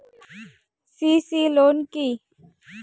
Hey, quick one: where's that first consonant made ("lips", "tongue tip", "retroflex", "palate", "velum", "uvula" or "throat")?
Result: tongue tip